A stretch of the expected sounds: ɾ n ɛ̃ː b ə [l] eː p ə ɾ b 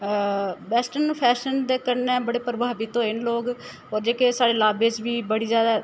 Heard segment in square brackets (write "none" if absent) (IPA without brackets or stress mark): ɽ